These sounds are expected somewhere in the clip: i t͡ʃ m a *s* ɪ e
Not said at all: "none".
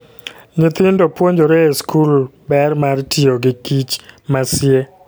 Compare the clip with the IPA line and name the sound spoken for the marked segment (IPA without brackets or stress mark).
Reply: s